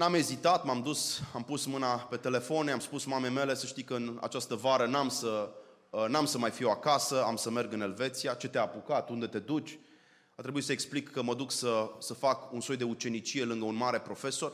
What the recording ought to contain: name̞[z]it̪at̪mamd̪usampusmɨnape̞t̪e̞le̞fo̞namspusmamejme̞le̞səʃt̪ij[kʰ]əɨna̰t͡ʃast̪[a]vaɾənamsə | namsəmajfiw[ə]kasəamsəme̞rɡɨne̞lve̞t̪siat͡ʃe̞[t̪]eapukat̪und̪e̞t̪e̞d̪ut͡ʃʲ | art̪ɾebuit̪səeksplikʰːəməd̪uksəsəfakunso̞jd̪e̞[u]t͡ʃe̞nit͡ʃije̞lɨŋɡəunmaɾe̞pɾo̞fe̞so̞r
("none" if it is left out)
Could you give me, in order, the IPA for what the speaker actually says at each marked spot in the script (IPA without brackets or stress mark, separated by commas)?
z, k, ə, a, t̪, u